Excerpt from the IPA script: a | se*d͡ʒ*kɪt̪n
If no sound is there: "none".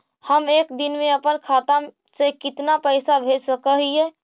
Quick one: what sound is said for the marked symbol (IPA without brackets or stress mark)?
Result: none